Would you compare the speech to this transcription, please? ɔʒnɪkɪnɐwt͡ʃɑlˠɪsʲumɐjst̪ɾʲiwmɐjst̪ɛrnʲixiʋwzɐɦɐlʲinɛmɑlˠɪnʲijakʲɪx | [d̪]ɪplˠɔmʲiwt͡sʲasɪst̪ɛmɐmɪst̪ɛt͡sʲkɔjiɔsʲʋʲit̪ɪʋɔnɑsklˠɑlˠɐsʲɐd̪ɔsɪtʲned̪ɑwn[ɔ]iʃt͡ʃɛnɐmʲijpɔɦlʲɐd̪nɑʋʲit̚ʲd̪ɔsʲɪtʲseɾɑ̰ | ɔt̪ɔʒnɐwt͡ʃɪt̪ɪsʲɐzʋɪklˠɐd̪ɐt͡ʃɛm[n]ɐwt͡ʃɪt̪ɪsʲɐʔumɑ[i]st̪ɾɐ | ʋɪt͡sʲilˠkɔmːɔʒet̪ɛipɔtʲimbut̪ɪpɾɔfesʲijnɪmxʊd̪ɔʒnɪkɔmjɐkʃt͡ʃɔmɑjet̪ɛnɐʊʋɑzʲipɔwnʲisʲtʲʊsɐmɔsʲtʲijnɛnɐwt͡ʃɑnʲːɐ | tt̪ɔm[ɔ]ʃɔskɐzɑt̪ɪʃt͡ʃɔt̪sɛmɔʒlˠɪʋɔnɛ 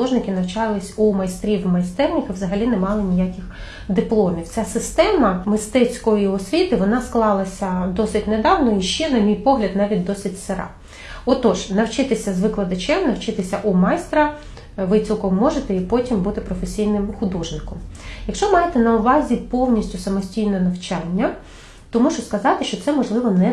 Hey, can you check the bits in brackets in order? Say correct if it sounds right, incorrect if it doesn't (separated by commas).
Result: correct, correct, correct, incorrect, incorrect